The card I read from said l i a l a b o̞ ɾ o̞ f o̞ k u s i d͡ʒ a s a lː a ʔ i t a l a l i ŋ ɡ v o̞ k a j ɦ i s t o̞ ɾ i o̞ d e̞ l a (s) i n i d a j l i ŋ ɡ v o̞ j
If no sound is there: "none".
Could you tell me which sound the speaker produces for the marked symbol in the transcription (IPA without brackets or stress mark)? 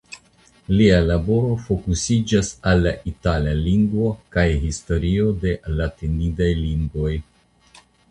t